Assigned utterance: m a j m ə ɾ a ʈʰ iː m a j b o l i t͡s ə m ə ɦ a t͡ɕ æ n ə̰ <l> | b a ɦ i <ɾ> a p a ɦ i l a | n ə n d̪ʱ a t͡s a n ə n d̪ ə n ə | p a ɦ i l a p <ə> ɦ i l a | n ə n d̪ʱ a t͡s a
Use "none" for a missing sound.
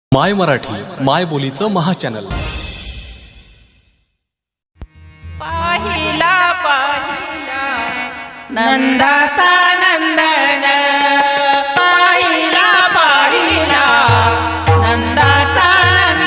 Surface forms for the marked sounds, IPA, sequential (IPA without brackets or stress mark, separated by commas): l, l, a